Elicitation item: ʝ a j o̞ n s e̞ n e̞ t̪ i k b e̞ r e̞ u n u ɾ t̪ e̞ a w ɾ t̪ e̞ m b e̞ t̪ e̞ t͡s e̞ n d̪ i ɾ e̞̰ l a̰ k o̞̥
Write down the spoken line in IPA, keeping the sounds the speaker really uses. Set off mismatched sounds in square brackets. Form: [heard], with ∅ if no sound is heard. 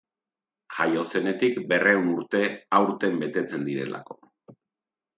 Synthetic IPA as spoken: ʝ a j o̞ [∅] s e̞ n e̞ t̪ i k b e̞ r e̞ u n u ɾ t̪ e̞ a w ɾ t̪ e̞ m b e̞ t̪ e̞ t͡s e̞ n d̪ i ɾ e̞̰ l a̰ k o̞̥

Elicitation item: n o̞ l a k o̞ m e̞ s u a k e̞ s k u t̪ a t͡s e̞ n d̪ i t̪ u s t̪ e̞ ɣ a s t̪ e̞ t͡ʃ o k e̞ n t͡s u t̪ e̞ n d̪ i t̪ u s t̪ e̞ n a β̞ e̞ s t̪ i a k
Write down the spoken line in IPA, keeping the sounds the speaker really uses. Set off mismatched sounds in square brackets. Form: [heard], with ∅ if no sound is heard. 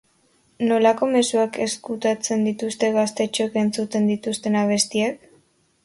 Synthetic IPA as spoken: n o̞ l a k o̞ m e̞ s u a k e̞ s k u t̪ a t͡s e̞ n d̪ i t̪ u s t̪ e̞ ɣ a s t̪ e̞ t͡ʃ o k e̞ n t͡s u t̪ e̞ n d̪ i t̪ u s t̪ e̞ n a β̞ e̞ s t̪ i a k

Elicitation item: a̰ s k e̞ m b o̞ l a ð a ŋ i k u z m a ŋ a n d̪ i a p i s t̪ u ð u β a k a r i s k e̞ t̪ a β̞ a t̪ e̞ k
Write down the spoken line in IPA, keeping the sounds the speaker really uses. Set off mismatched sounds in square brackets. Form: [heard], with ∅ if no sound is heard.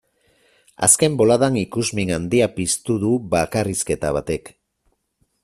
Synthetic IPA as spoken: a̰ s k e̞ m b o̞ l a ð a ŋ i k u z m [i] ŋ a n d̪ i a p i s t̪ u ð u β a k a r i s k e̞ t̪ a β̞ a t̪ e̞ k

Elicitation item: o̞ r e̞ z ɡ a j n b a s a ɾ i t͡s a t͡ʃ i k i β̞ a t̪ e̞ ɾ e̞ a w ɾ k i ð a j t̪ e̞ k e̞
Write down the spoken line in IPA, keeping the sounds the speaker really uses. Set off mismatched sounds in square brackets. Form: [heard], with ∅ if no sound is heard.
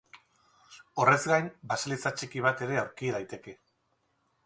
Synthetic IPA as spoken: o̞ r e̞ z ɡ a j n b a s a [l] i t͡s a t͡ʃ i k i β̞ a t̪ e̞ ɾ e̞ a w ɾ k i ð a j t̪ e̞ k e̞

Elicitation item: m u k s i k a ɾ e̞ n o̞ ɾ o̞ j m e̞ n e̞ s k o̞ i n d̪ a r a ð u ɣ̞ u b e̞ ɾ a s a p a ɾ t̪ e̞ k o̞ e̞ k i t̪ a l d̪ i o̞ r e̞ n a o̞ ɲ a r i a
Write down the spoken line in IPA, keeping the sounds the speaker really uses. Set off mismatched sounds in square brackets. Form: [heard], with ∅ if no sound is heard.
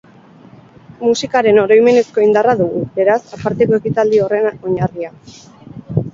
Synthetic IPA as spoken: m u [∅] s i k a ɾ e̞ n o̞ ɾ o̞ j m e̞ n e̞ s k o̞ i n d̪ a r a ð u ɣ̞ u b e̞ ɾ a s a p a ɾ t̪ e̞ k o̞ e̞ k i t̪ a l d̪ i o̞ r e̞ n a o̞ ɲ a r i a

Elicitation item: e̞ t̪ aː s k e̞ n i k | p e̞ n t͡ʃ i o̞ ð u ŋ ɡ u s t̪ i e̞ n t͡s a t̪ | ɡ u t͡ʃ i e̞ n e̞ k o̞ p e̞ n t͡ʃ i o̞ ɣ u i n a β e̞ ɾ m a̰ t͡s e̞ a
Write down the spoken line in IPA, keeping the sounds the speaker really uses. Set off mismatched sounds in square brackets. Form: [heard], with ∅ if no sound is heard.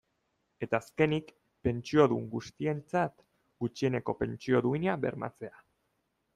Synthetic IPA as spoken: e̞ t̪ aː s k e̞ n i k | p e̞ n t͡ʃ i o̞ ð u ŋ ɡ u s t̪ i e̞ n t͡s a t̪ | ɡ u t͡ʃ i e̞ n e̞ k o̞ p e̞ n t͡ʃ i o̞ [ð] u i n a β e̞ ɾ m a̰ t͡s e̞ a

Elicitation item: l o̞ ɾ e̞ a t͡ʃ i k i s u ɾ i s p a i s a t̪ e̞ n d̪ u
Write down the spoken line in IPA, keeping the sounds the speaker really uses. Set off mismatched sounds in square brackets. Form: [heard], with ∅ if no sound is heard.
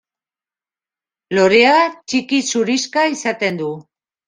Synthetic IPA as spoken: l o̞ ɾ e̞ a t͡ʃ i k i s u ɾ i s [k] a i s a t̪ e̞ n d̪ u

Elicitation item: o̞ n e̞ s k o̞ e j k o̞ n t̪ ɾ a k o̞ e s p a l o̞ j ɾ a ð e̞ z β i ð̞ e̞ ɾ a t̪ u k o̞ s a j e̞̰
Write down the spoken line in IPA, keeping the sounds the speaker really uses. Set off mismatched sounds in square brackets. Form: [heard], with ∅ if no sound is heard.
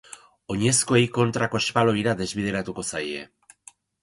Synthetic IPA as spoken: o̞ [ɲ] e̞ s k o̞ e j k o̞ n t̪ ɾ a k o̞ e s p a l o̞ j ɾ a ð e̞ z β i ð̞ e̞ ɾ a t̪ u k o̞ s a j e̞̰

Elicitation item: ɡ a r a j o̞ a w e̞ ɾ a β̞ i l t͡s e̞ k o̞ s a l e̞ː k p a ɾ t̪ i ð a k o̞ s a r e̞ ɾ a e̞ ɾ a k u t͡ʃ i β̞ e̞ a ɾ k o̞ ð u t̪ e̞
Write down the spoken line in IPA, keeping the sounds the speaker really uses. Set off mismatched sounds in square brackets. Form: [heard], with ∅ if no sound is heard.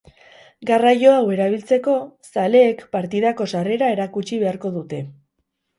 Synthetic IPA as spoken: ɡ a r a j o̞ a w e̞ ɾ a β̞ i l t͡s e̞ k o̞ s a l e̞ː k p a ɾ t̪ i ð a k o̞ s a r e̞ ɾ a e̞ ɾ a k u t͡ʃ i β̞ e̞ a ɾ k o̞ ð u t̪ e̞

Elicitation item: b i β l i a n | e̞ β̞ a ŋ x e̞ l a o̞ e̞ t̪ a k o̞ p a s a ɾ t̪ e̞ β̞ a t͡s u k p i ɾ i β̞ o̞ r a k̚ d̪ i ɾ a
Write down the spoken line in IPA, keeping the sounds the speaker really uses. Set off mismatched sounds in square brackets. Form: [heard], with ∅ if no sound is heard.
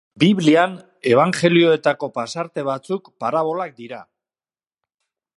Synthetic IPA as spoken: b i β l i a n | e̞ β̞ a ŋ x e̞ l [i] o̞ e̞ t̪ a k o̞ p a s a ɾ t̪ e̞ β̞ a t͡s u k p [a] ɾ [a] β̞ o̞ [l] a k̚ d̪ i ɾ a

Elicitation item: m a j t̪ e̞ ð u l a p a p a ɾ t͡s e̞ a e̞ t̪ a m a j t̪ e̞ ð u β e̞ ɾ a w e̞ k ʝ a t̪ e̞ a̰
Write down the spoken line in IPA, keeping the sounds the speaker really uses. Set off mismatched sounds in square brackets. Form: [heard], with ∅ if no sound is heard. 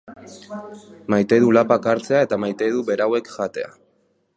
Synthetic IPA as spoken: m a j t̪ e̞ ð u l a p a [k] a ɾ t͡s e̞ a e̞ t̪ a m a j t̪ e̞ ð u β e̞ ɾ a w e̞ k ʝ a t̪ e̞ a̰

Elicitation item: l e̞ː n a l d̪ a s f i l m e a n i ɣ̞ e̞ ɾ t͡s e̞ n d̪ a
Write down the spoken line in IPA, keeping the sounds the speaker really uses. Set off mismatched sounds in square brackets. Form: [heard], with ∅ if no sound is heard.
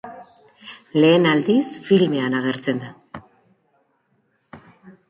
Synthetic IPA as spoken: l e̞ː n a l d̪ [i] s f i l m e a n [a] ɣ̞ e̞ ɾ t͡s e̞ n d̪ a

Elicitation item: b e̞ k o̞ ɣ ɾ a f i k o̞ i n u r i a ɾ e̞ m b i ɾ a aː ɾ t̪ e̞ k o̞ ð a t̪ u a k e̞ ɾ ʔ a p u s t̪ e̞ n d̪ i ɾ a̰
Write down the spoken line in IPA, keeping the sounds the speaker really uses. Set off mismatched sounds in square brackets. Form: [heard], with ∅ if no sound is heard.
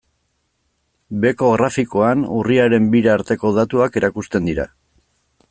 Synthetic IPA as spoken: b e̞ k o̞ ɣ ɾ a f i k o̞ [a] n u r i a ɾ e̞ m b i ɾ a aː ɾ t̪ e̞ k o̞ ð a t̪ u a k e̞ ɾ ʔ a [k] u s t̪ e̞ n d̪ i ɾ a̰

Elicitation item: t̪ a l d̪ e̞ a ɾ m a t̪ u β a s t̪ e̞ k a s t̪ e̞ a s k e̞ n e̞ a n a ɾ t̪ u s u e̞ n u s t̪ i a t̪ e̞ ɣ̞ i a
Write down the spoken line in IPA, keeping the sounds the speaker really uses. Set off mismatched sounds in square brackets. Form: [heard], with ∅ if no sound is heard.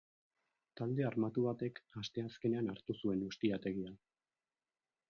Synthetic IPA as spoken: t̪ a l d̪ e̞ a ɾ m a t̪ u β a [∅] t̪ e̞ k a s t̪ e̞ a s k e̞ n e̞ a n a ɾ t̪ u s u e̞ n u s t̪ i a t̪ e̞ ɣ̞ i a

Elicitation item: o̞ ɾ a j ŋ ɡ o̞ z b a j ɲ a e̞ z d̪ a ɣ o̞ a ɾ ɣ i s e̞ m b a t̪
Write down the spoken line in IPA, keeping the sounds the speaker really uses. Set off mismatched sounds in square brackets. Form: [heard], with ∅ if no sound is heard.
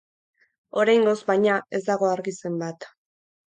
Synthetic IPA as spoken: o̞ ɾ a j ŋ ɡ o̞ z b a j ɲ a e̞ z d̪ a ɣ o̞ a ɾ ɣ i s e̞ m b a t̪

